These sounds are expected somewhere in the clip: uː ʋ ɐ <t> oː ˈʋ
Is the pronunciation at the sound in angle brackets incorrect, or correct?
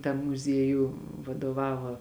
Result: incorrect